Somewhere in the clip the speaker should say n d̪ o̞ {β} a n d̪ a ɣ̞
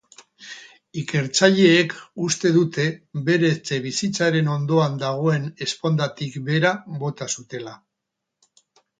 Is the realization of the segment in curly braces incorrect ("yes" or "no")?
yes